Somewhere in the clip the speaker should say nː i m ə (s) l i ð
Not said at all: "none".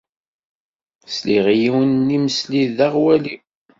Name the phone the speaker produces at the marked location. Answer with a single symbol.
s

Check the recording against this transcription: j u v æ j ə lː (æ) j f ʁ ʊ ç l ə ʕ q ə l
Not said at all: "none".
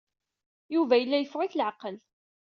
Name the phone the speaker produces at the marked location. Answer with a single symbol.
æ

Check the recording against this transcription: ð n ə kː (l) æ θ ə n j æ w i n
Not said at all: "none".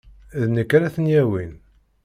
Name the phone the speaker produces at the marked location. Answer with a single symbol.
ɾ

